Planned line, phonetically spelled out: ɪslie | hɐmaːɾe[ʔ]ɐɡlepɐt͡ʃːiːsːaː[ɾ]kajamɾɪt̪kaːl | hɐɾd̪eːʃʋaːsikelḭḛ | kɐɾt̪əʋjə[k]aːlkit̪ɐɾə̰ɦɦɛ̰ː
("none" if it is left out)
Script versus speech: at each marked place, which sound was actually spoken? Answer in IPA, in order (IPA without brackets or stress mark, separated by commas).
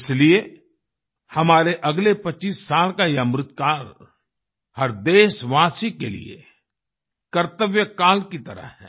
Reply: ʔ, l, k